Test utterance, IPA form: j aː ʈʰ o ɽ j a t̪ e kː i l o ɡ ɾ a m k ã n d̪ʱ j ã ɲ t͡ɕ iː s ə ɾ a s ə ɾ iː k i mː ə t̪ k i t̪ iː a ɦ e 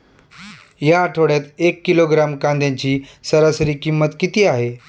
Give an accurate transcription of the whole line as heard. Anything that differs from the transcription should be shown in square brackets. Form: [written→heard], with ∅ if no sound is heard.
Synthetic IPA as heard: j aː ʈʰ o ɽ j a t̪ e kː i l o ɡ ɾ a m k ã n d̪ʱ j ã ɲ t͡ɕ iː s ə ɾ a s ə ɾ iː k i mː ə t̪ k i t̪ iː a ɦ e

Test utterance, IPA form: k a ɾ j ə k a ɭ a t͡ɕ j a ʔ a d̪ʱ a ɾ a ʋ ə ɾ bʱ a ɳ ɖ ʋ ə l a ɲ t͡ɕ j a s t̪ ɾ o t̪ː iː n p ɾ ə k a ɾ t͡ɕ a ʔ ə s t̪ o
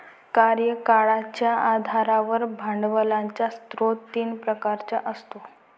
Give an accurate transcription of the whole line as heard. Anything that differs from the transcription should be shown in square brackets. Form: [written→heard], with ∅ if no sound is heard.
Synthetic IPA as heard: k a ɾ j ə k a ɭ a t͡ɕ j a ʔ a d̪ʱ a ɾ a ʋ ə ɾ bʱ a ɳ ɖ ʋ ə l a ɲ t͡ɕ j a s t̪ ɾ o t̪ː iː n p ɾ ə k a ɾ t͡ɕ a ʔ ə s t̪ o

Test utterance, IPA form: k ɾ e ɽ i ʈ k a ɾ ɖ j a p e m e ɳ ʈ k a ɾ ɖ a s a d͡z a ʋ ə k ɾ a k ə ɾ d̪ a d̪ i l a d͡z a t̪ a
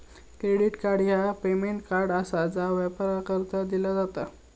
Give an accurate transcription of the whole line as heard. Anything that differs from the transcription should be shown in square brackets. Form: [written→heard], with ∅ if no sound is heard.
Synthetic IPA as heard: k ɾ e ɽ i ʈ k a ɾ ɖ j a p e m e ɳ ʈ k a ɾ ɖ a s a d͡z a ʋ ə [k→p] ɾ a k ə ɾ [d̪→t̪] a d̪ i l a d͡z a t̪ a

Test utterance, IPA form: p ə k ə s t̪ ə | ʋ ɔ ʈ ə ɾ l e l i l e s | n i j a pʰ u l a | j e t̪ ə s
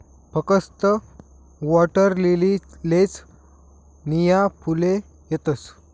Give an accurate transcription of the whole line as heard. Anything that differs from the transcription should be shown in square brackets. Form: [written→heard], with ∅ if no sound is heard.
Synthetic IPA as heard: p ə k ə s t̪ ə | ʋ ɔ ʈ ə ɾ l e l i l e [s→t͡s] | n i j a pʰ u l [a→e] | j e t̪ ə s

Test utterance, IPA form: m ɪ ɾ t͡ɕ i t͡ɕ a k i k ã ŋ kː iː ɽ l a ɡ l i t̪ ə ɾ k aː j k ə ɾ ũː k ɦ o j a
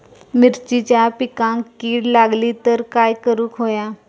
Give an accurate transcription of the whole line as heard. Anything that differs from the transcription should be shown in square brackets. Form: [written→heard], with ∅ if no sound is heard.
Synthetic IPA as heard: m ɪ ɾ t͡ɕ i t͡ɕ a [k→p] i k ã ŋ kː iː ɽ l a ɡ l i t̪ ə ɾ k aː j k ə ɾ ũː k ɦ o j a

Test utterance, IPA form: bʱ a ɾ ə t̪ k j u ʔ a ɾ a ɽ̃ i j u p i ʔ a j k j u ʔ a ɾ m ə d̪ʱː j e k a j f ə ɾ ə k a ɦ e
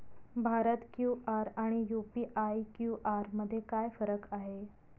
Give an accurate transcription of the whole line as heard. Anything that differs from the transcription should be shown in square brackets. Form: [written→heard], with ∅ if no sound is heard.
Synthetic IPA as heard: bʱ a ɾ ə t̪ k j u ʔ a ɾ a ɽ̃ i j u p i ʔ a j k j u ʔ a ɾ m ə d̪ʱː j e k a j f ə ɾ ə k a ɦ e

